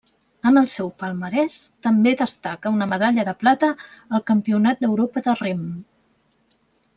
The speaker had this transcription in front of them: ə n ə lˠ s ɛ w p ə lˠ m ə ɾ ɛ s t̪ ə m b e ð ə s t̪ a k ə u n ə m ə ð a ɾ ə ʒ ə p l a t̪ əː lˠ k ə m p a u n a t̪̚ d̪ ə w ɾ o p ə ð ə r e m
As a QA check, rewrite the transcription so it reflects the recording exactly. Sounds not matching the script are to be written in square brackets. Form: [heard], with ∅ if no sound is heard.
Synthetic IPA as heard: ə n ə lˠ s ɛ w p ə lˠ m ə ɾ ɛ s t̪ ə m b e ð ə s t̪ a k ə u n ə m ə ð a [ʎ] ə [ð] ə p l a t̪ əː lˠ k ə m p [i] u n a t̪̚ d̪ ə w ɾ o p ə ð ə r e m

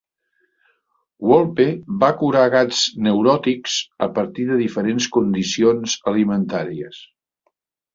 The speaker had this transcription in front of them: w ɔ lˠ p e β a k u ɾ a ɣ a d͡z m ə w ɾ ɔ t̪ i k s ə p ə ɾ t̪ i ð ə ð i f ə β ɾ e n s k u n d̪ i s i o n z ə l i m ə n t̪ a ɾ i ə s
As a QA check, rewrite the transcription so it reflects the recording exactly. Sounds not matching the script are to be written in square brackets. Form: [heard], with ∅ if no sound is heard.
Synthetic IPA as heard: w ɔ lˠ p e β a k u ɾ a ɣ a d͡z [n] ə w ɾ ɔ t̪ i k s ə p ə ɾ t̪ i ð ə ð i f ə [∅] ɾ e n s k u n d̪ i s i o n z ə l i m ə n t̪ a ɾ i ə s

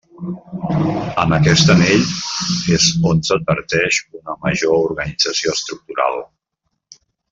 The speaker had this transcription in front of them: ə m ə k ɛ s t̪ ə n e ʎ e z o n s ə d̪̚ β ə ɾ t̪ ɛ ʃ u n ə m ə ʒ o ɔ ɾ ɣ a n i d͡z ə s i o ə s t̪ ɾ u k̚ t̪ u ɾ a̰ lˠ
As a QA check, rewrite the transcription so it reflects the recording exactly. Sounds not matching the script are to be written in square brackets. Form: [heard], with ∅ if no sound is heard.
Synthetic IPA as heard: ə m ə k ɛ s t̪ ə n e ʎ e z o n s ə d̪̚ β ə ɾ t̪ ɛ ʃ u n ə m ə ʒ o [u] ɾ ɣ [ə] n i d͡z ə s i o ə s t̪ ɾ u k̚ t̪ u ɾ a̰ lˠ

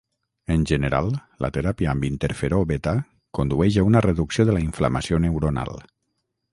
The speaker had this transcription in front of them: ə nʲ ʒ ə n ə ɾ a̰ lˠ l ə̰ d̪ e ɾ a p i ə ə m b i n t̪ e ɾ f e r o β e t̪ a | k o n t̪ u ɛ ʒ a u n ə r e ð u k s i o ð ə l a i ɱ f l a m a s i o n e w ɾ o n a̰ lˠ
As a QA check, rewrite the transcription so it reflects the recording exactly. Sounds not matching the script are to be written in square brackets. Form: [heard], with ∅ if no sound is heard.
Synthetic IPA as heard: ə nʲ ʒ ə n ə ɾ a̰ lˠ l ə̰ [t̪] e ɾ a p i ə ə m b i n t̪ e ɾ f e [ɾ] o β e t̪ a | k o n [d̪] u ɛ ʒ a u n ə r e ð u k s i o ð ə l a i ɱ f l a m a s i o n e w ɾ o n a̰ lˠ

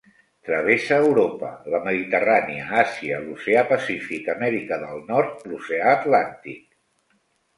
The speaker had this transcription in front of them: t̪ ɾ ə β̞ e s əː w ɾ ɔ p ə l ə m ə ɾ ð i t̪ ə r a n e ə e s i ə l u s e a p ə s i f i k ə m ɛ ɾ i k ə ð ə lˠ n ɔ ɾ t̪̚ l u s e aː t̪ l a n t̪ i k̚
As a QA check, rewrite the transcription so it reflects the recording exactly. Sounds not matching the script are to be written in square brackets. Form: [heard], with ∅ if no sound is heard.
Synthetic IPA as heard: t̪ ɾ ə β̞ e s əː w ɾ [o] p ə l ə m ə [∅] ð i t̪ ə r a n [i] ə [a] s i ə l u s e a p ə s i f i k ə m ɛ ɾ i k ə ð ə lˠ n ɔ ɾ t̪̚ l u s e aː t̪ l a n t̪ i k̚

